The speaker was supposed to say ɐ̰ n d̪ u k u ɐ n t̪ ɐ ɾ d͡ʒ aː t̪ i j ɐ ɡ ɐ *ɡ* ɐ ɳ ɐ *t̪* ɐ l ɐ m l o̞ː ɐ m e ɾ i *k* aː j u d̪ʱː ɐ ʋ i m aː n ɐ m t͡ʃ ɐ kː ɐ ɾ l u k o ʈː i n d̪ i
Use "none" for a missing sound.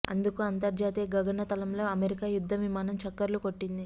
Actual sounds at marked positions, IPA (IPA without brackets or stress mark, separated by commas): ɡ, t̪, k